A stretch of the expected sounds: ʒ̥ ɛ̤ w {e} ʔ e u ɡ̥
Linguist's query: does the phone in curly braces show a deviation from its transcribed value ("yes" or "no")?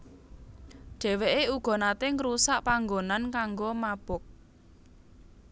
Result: no